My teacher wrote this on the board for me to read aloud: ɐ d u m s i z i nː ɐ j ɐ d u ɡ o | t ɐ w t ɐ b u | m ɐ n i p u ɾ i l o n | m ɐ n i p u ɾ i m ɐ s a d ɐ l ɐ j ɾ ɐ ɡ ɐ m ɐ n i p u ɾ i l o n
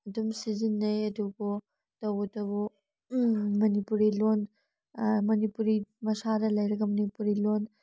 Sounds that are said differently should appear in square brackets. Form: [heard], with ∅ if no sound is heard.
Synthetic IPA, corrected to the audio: ɐ d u m s i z i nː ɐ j ɐ d u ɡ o | t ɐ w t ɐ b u | m ɐ n i p u ɾ i l o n | m ɐ n i p u ɾ i m ɐ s a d ɐ l ɐ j ɾ ɐ ɡ ɐ m ɐ n i p u ɾ i l o n